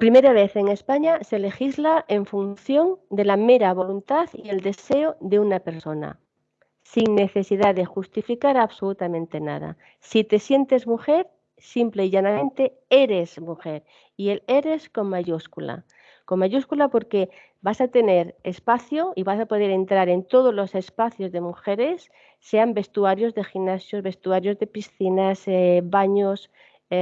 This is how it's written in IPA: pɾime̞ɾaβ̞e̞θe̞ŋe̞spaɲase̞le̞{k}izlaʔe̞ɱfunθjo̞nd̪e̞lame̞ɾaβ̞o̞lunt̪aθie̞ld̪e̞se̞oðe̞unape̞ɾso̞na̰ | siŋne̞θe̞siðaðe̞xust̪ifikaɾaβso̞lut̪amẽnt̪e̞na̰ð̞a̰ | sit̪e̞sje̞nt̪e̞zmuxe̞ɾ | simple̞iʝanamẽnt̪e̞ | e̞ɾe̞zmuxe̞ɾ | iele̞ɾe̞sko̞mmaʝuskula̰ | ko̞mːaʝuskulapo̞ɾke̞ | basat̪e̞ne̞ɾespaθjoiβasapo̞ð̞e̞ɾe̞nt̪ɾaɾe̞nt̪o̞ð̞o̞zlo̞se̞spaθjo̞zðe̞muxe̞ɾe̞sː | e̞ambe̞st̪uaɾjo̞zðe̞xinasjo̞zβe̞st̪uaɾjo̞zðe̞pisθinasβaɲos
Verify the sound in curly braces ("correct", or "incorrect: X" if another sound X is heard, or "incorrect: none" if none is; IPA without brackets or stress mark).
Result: incorrect: x